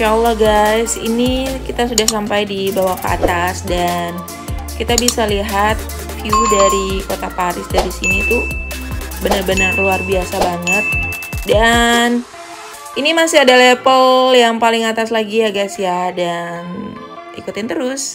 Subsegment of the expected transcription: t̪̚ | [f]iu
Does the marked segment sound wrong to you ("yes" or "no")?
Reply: no